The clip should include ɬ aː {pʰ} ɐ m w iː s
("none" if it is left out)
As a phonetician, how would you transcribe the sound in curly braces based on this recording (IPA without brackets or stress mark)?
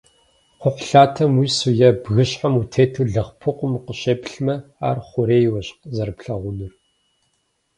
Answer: tʰ